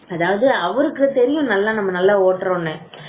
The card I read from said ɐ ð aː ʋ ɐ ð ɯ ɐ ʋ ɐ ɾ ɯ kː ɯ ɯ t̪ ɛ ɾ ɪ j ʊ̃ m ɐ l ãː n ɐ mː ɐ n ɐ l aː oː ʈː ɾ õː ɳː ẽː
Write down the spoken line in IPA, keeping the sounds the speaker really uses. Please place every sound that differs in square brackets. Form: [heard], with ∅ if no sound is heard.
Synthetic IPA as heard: ɐ ð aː ʋ ɐ ð ɯ ɐ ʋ ɐ ɾ ɯ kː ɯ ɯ t̪ ɛ ɾ ɪ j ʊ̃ [n] ɐ [lː] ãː n ɐ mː ɐ n ɐ [lː] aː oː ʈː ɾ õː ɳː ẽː